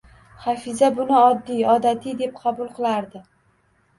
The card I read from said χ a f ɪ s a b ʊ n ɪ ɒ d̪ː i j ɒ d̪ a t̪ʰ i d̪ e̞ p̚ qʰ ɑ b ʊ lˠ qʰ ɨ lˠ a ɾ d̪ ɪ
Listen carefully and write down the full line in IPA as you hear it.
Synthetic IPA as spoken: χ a f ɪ z a b ʊ n ɪ ɒ d̪ː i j ɒ d̪ a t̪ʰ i d̪ e̞ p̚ qʰ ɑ b ʊ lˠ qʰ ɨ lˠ a ɾ d̪ ɪ